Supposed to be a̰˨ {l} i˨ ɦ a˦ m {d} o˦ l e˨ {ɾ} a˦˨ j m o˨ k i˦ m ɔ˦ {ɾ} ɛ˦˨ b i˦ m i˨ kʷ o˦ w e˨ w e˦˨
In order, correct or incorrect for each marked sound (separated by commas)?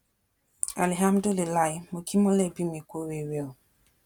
correct, correct, incorrect, incorrect